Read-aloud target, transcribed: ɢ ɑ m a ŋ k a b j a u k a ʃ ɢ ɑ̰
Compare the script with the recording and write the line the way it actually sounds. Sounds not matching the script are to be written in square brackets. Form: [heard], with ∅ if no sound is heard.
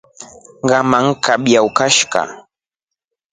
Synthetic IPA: ɢ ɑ m a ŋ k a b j a [w] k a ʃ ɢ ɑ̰